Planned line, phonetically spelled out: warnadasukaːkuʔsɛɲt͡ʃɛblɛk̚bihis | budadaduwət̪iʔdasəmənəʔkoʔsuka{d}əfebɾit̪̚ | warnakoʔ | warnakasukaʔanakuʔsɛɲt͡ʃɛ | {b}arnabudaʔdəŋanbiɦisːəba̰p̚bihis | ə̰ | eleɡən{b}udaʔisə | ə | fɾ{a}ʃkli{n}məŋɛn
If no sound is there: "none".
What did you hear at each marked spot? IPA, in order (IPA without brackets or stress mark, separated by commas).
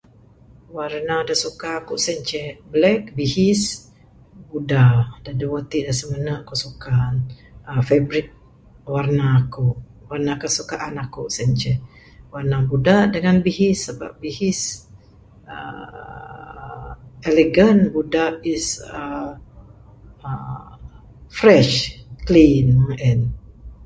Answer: n, w, b, ɛ, n